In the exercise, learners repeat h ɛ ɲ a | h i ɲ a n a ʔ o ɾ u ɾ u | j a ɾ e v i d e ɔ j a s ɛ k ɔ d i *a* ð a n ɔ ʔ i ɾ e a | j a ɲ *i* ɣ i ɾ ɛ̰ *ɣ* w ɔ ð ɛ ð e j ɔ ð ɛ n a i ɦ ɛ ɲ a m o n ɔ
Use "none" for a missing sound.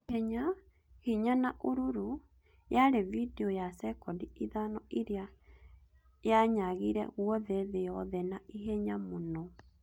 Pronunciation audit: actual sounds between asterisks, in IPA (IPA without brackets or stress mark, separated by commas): i, a, ɣ